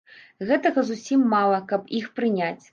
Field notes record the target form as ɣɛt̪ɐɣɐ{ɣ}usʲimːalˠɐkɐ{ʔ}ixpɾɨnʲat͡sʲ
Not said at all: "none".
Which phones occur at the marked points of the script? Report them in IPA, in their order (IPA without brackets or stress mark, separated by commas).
z, p